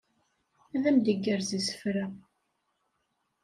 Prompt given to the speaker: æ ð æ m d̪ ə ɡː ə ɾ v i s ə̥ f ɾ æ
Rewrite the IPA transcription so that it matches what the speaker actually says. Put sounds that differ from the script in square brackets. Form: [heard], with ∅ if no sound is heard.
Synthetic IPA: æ ð æ m d̪ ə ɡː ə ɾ [z] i s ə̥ f ɾ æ